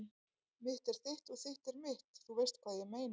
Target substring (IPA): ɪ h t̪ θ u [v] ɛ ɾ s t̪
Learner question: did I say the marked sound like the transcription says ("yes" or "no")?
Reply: yes